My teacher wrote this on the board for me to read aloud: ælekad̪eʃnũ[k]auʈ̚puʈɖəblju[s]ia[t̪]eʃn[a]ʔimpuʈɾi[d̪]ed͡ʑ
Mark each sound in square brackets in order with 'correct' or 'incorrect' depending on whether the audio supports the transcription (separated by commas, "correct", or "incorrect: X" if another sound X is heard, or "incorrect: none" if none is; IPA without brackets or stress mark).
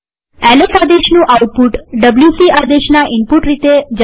incorrect: ʔ, correct, incorrect: d̪, correct, incorrect: t̪